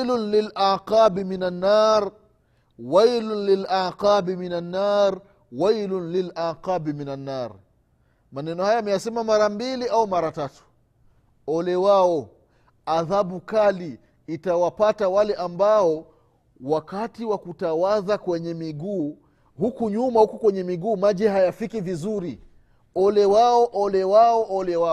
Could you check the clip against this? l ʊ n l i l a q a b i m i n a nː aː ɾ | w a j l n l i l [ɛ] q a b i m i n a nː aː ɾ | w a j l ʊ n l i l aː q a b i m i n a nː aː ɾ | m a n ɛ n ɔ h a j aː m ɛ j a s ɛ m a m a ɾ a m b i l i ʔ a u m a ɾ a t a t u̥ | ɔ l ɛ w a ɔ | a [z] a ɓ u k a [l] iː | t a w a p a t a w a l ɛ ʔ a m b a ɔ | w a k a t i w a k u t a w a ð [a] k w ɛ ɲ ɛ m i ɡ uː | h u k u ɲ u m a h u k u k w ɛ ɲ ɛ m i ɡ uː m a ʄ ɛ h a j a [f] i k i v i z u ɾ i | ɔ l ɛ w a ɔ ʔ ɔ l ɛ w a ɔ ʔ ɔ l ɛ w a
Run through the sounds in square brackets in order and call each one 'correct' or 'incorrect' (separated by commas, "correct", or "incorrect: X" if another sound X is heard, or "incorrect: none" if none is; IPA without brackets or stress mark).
incorrect: a, incorrect: ð, correct, correct, correct